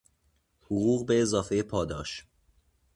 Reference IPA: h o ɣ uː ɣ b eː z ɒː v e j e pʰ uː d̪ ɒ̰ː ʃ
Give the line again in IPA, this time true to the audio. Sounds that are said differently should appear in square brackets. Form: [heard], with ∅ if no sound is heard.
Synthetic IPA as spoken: h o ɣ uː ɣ b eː z ɒː [f] e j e pʰ [ɒː] d̪ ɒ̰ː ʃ